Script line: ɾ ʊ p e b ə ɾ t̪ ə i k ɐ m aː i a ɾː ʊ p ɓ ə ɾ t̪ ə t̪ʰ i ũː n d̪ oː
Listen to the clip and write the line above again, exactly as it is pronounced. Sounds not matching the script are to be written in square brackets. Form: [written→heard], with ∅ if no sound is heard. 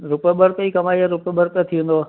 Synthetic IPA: ɾ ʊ p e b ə ɾ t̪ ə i k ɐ m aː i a [ɾː→ɾ] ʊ p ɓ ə ɾ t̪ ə t̪ʰ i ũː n d̪ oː